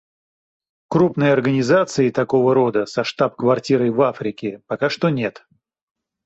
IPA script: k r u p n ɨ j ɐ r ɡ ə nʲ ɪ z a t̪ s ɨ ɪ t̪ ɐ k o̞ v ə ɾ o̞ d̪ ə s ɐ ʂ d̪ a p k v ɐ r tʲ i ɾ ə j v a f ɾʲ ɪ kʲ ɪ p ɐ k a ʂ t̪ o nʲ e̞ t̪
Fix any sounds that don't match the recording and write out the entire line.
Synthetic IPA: k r u p n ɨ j ɐ r ɡ ə nʲ ɪ z a t̪ s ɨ ɪ t̪ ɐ k o̞ v ə ɾ o̞ d̪ ə s ɐ ʂ t̪ a p k v ɐ r tʲ i ɾ ə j v a f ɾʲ ɪ kʲ ɪ p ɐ k a ʂ t̪ o nʲ e̞ t̪